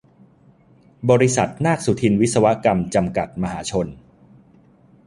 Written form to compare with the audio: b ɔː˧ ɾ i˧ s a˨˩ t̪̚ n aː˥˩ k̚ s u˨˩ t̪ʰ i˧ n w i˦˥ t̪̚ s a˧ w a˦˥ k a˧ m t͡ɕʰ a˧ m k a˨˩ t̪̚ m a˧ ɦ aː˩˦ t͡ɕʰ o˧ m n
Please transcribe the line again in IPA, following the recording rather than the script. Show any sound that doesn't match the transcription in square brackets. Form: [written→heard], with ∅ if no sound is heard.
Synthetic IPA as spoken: b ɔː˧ ɾ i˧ s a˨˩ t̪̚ n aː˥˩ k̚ s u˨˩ t̪ʰ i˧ n w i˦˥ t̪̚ s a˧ w a˦˥ k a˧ m [t͡ɕʰ→t͡ɕ] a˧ m k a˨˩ t̪̚ m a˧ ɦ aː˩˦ t͡ɕʰ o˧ [m→∅] n